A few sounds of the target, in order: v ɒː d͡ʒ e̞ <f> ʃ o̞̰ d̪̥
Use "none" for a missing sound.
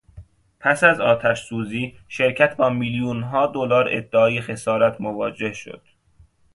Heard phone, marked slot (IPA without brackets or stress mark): h